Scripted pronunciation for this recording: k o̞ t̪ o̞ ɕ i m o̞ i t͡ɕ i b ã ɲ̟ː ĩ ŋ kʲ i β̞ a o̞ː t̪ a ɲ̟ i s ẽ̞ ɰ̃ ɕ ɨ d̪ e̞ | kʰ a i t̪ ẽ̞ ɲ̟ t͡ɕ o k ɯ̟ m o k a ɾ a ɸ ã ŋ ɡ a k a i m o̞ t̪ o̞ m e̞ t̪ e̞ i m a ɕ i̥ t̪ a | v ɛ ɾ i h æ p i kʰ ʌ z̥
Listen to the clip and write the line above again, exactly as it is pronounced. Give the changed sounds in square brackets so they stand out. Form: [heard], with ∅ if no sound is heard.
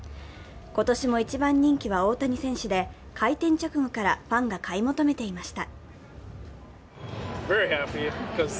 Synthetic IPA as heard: k o̞ t̪ o̞ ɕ i m o̞ i t͡ɕ i b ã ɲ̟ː ĩ ŋ kʲ i β̞ a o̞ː t̪ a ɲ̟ i s ẽ̞ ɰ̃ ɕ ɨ d̪ e̞ | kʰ a i t̪ ẽ̞ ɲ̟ t͡ɕ o k ɯ̟ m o k a ɾ a ɸ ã ŋ ɡ a k a i m o̞ t̪ o̞ m e̞ t̪ e̞ i m a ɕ i̥ t̪ a | v ɛ [ɹ] i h æ p i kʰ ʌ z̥